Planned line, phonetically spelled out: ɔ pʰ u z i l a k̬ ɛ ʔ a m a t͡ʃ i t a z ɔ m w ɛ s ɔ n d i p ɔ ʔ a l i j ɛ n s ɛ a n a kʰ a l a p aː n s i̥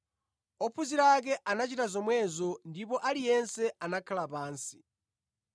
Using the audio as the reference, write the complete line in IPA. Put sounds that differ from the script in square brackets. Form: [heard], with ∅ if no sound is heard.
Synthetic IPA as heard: ɔ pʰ u z i [ɾ] a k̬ ɛ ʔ a [n] a t͡ʃ i t a z ɔ m w ɛ [z] ɔ n d i p ɔ ʔ a l i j ɛ n s ɛ a n a kʰ a l a p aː n s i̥